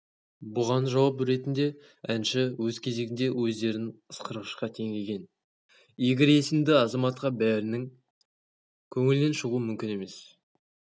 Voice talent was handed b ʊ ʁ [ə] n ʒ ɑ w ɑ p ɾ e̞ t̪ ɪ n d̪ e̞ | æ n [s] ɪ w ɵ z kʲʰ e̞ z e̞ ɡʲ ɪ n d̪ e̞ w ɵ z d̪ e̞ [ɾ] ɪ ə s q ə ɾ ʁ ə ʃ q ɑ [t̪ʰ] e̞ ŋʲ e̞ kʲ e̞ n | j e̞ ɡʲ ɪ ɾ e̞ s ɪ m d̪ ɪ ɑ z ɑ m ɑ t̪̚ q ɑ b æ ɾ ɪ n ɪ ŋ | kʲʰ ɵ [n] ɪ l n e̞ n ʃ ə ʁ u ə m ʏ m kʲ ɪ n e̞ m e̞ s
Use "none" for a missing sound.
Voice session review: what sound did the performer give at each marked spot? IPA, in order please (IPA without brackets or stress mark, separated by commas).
ɑ, ʃ, ɾ, t̪ʰ, ŋ